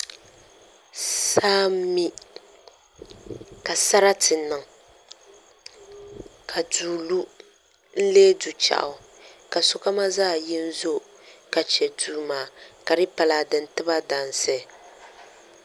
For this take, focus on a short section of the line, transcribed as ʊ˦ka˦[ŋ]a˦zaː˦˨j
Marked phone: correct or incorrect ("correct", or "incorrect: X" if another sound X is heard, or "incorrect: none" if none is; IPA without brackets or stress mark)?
incorrect: m